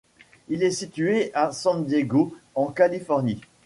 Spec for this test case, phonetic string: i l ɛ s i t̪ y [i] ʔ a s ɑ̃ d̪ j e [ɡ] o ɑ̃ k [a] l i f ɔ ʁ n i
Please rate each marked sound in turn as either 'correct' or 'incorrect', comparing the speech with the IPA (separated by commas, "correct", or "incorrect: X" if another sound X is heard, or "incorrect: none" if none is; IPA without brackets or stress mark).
incorrect: e, correct, correct